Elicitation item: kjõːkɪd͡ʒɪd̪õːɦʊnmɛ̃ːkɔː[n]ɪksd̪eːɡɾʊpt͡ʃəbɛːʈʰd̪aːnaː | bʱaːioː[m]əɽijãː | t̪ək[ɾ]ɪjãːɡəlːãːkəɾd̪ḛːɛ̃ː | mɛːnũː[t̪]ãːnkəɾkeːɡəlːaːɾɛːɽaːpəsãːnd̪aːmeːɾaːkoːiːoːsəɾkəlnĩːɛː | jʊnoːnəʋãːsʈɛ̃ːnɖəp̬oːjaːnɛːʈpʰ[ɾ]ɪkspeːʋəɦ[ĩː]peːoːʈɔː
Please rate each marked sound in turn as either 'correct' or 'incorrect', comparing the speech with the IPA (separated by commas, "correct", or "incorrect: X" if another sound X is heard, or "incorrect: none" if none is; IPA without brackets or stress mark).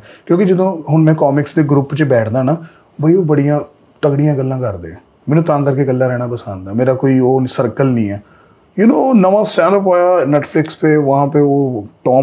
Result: incorrect: m, incorrect: b, incorrect: ɽ, correct, incorrect: l, incorrect: ãː